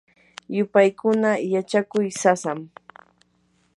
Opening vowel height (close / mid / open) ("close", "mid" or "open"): close